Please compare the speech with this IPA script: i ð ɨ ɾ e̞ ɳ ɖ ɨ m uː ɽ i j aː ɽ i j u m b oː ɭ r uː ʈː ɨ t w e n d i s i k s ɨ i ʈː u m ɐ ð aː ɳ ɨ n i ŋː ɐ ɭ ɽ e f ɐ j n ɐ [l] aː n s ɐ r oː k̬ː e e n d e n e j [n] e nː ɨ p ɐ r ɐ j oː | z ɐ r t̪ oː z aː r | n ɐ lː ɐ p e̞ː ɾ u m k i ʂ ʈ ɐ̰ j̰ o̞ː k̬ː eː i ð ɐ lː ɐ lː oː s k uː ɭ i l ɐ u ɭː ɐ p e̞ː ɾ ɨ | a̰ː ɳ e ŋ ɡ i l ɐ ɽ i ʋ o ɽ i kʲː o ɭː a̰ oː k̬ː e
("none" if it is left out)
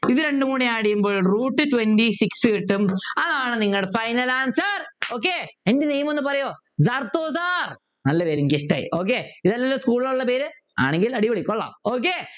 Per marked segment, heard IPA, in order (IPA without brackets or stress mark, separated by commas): l, m